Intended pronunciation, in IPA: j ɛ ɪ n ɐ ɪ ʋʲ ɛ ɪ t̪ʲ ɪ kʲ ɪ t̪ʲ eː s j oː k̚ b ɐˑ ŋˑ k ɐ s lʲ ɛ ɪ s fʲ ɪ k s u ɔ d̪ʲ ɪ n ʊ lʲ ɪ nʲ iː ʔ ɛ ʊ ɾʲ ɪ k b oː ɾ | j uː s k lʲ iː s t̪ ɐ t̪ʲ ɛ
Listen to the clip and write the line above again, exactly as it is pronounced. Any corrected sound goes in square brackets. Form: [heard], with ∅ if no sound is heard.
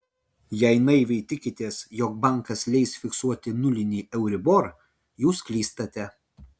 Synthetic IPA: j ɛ ɪ n ɐ ɪ ʋʲ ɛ ɪ t̪ʲ ɪ kʲ ɪ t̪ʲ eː s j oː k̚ b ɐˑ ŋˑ k ɐ s lʲ ɛ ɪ s fʲ ɪ k s u ɔ [t̪ʲ] ɪ n ʊ lʲ ɪ nʲ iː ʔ ɛ ʊ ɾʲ ɪ [∅] b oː ɾ | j uː s k lʲ iː s t̪ ɐ t̪ʲ ɛ